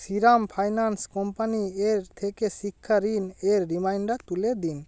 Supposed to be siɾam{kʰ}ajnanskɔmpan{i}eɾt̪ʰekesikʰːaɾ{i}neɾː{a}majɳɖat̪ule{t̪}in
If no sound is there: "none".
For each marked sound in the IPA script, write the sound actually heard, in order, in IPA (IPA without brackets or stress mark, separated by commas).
pʰ, i, i, i, d̪